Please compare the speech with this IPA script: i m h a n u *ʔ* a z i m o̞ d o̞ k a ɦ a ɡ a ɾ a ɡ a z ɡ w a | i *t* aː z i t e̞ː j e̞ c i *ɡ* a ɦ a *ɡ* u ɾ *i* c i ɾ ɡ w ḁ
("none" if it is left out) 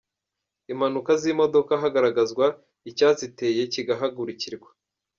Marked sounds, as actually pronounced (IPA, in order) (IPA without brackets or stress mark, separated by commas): k, c, ɡ, ɡ, i